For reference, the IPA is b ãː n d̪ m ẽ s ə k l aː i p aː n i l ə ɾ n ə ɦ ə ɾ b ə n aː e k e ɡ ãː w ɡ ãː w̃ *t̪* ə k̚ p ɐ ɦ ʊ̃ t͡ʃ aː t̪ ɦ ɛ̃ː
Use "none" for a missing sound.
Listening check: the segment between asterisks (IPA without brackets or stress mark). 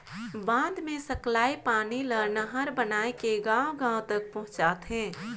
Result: t̪